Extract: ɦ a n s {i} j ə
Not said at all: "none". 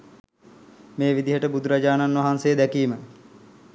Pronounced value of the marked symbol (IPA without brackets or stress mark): e